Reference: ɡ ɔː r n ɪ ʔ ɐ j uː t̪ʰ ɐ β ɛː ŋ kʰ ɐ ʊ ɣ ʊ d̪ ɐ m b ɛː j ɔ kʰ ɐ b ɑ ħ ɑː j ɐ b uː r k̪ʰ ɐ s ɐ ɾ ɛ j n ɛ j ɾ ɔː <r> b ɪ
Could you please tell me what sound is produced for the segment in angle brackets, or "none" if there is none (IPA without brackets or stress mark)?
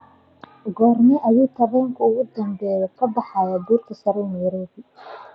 none